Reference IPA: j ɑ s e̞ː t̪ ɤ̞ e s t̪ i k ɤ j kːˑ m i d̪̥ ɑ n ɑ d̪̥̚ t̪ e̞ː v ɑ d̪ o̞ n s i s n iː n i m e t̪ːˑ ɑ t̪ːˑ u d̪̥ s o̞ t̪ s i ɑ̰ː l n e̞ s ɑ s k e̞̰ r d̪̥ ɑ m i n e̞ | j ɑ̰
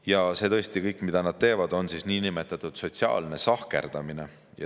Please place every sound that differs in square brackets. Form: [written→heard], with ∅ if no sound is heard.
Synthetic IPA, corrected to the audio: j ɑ s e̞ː t̪ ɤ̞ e s t̪ i k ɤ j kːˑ m i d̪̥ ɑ n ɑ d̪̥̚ t̪ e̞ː v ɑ d̪ o̞ n s i s n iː n i m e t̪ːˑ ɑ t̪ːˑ u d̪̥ s o̞ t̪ s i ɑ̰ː l n e̞ s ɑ [s→h] k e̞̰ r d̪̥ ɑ m i n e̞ | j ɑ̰